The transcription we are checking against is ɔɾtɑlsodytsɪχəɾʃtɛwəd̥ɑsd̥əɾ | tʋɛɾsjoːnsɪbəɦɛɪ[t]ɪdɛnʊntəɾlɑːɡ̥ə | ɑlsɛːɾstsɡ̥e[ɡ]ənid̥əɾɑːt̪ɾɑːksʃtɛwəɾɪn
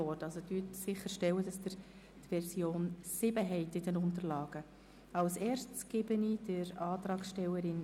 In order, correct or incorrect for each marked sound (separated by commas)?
correct, incorrect